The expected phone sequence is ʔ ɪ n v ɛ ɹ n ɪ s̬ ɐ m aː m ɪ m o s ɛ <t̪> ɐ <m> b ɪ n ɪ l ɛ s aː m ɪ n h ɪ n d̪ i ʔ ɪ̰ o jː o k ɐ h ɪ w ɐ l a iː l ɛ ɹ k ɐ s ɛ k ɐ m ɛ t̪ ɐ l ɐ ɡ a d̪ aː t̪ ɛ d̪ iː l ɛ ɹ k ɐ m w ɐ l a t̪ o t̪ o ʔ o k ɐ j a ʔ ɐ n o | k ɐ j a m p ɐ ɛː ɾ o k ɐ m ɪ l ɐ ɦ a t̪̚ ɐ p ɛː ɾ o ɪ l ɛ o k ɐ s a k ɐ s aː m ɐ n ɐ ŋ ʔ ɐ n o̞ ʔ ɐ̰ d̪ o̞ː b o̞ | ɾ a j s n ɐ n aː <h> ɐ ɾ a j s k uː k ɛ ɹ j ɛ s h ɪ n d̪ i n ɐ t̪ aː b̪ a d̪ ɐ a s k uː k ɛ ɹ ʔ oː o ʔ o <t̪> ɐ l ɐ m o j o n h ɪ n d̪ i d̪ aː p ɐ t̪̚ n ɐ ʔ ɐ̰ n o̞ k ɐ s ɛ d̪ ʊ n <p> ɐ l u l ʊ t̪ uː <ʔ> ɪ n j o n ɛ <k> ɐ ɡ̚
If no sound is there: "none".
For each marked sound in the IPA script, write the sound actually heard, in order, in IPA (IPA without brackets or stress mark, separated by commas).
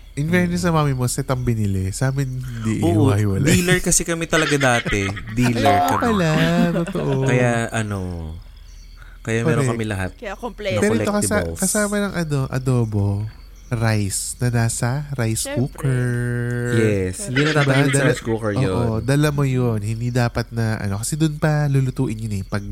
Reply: t̪, m, s, d̪, p, ʔ, p